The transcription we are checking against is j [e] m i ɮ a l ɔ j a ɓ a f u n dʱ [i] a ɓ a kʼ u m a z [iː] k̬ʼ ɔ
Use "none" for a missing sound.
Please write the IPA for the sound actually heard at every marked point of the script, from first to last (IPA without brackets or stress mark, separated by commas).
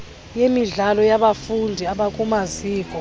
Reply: e, i, iː